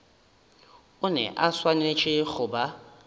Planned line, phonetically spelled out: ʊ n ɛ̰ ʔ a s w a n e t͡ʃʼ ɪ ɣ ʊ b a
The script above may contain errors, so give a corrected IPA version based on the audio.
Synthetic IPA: ʊ n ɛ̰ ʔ a s w a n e t͡ʃʼ ɪ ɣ ʊ b a